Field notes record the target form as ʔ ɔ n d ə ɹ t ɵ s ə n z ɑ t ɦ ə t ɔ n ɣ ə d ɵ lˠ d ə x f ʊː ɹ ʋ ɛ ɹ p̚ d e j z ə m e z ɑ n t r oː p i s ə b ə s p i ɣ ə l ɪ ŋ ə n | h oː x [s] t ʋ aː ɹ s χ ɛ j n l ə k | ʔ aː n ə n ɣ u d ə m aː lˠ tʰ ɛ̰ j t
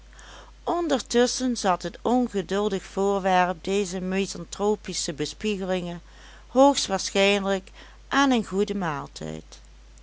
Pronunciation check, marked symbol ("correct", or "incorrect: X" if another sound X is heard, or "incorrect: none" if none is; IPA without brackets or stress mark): correct